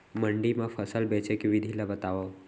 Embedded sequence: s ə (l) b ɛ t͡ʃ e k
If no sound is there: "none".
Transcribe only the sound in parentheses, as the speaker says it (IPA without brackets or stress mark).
l